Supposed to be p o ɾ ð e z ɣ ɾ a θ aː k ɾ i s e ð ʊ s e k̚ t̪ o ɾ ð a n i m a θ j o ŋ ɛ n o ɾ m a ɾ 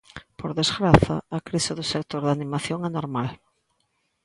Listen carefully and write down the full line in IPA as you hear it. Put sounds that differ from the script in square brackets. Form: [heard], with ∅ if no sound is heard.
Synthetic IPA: p o ɾ ð e z ɣ ɾ a θ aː k ɾ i s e ð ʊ s e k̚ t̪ o ɾ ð a n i m a θ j o ŋ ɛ n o ɾ m a [l]